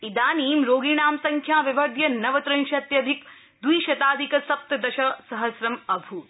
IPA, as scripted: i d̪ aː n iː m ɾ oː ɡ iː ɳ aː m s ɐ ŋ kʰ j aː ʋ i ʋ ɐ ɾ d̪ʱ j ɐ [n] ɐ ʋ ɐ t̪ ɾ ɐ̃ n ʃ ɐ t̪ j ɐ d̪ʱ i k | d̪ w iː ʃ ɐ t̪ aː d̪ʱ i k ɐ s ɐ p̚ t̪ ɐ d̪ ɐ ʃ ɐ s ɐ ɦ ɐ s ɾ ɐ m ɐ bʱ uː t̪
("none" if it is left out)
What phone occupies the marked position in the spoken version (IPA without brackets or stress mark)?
n